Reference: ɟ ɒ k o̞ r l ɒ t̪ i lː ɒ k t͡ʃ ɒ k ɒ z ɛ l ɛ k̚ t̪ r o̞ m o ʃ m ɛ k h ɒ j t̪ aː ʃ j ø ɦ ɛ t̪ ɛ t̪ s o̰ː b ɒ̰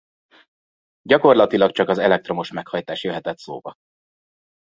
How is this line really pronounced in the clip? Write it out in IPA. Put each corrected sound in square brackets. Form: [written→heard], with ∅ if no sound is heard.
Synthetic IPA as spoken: ɟ ɒ k o̞ r l ɒ t̪ i [lː→l] ɒ k t͡ʃ ɒ k ɒ z ɛ l ɛ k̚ t̪ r o̞ m o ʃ m ɛ k h ɒ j t̪ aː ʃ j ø ɦ ɛ t̪ ɛ t̪ s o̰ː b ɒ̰